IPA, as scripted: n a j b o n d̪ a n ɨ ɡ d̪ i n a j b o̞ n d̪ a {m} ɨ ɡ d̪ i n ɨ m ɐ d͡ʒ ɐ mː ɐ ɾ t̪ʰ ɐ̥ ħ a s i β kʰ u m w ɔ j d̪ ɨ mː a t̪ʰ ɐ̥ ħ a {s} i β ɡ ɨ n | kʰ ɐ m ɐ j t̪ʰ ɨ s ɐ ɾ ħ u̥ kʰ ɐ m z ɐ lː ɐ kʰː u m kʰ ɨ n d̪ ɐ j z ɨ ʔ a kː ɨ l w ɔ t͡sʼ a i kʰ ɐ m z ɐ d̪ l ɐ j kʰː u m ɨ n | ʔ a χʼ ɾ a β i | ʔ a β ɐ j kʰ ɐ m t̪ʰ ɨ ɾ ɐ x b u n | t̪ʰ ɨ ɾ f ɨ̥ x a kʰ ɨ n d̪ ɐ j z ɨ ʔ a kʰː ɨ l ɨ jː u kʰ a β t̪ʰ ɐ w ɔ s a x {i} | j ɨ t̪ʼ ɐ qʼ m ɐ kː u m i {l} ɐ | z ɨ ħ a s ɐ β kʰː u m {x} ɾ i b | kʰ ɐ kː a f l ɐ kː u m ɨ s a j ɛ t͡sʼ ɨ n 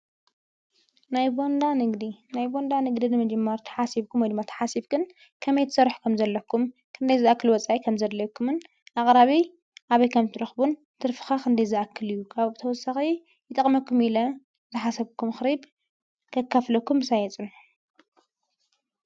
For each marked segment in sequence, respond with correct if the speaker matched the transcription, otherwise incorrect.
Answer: incorrect: n, correct, correct, correct, correct

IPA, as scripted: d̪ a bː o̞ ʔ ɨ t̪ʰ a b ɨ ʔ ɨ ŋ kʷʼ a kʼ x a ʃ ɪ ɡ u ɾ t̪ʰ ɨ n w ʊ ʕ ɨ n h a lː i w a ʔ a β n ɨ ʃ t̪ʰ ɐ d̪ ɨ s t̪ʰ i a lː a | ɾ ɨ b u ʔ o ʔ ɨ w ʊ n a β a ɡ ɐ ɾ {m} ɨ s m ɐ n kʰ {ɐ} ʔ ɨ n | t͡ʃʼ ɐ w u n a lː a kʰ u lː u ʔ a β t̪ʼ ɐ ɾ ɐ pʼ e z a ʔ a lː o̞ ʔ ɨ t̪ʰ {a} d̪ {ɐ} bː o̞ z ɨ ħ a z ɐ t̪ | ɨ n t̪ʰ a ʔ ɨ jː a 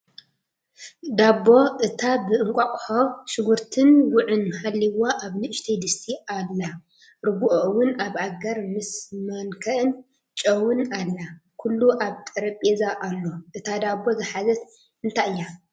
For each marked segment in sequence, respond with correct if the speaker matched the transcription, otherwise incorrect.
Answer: correct, correct, correct, incorrect: a

